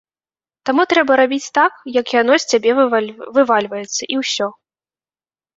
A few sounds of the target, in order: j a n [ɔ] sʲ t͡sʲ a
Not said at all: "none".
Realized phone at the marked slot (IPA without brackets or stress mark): ɔ